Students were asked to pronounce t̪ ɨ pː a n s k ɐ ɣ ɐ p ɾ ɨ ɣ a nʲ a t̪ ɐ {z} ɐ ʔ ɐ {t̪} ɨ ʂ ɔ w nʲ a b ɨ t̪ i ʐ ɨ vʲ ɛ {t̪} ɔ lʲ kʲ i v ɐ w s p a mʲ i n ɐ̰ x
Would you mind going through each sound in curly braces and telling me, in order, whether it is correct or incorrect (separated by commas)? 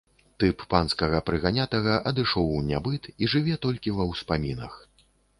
incorrect, incorrect, correct